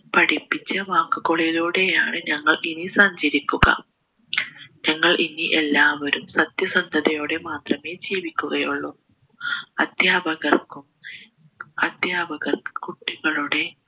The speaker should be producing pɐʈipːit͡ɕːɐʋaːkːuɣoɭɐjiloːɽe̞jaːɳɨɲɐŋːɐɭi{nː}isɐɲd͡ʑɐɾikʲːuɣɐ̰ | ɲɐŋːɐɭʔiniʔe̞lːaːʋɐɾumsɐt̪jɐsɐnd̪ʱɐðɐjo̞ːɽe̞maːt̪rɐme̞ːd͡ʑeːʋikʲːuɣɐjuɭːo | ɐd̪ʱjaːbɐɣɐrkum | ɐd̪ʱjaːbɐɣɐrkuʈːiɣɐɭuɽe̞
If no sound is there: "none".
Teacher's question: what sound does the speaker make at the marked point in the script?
n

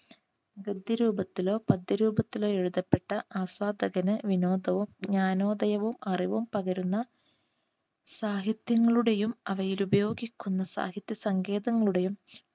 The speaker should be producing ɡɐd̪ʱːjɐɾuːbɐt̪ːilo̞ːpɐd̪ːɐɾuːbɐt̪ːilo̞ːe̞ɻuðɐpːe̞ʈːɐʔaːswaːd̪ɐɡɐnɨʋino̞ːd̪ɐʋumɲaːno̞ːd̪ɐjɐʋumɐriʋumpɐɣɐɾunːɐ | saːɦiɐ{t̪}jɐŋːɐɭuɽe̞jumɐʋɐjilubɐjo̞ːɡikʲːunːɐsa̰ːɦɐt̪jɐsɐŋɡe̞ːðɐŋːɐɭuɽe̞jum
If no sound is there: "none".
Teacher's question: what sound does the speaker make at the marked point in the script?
t̪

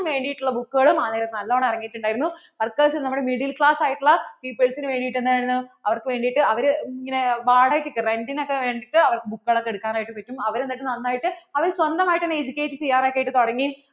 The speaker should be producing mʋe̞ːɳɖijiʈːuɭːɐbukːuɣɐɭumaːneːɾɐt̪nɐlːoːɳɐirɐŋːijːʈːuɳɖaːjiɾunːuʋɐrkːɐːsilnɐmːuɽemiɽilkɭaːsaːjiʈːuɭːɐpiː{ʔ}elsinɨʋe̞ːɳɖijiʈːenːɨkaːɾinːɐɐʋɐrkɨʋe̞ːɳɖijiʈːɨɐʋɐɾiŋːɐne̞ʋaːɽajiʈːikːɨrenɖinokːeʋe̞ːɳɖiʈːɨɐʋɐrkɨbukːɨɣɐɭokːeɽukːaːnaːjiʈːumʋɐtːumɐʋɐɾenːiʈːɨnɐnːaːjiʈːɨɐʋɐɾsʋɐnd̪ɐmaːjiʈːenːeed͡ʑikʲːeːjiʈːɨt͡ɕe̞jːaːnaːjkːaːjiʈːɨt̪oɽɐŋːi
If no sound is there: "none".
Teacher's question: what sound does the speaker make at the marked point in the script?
p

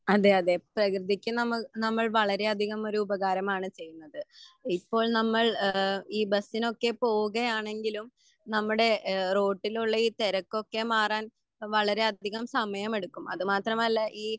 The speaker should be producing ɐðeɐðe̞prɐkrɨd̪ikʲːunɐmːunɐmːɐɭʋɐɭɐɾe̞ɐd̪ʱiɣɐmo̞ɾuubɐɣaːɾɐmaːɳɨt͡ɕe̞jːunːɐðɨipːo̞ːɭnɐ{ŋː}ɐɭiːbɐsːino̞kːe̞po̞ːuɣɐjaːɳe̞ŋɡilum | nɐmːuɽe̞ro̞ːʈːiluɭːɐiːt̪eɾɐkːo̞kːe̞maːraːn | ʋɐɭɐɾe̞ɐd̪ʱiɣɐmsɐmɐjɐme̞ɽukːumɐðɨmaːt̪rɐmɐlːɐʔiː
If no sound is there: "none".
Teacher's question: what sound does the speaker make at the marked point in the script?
mː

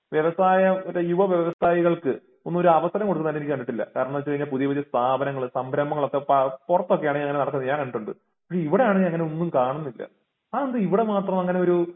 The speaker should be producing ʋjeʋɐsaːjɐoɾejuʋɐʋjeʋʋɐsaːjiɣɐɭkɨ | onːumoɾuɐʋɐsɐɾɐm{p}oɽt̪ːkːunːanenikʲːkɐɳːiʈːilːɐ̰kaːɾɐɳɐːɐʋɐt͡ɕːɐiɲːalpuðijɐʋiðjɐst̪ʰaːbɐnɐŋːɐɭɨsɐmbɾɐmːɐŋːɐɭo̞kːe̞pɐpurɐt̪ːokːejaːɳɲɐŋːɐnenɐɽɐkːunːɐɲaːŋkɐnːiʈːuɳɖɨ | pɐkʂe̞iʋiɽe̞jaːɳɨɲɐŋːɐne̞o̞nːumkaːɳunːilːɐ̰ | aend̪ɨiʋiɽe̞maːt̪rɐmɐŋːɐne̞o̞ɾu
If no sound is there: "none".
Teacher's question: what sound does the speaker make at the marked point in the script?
k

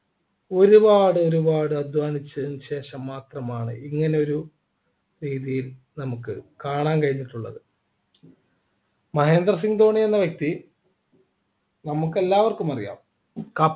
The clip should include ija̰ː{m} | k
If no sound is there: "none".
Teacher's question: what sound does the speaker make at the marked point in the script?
m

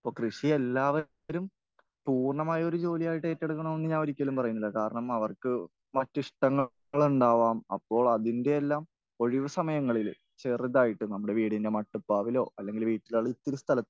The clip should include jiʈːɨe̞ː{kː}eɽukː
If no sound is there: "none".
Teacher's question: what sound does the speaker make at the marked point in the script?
tː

